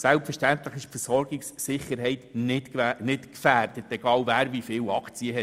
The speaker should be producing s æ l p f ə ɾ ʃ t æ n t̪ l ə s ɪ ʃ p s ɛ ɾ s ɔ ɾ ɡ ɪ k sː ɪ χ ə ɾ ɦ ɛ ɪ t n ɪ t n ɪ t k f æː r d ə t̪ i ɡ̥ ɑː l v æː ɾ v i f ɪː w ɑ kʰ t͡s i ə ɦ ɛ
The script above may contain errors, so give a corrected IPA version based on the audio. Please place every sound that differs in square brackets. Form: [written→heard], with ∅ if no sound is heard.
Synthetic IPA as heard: s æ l p f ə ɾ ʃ t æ n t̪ l ə [s→χ] ɪ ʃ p [s→f] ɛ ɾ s ɔ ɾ ɡ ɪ k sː ɪ χ ə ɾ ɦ ɛ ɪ t n ɪ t n ɪ t k f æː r d ə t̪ [i→ɛ] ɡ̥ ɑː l v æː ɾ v i f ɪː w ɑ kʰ t͡s i ə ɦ ɛ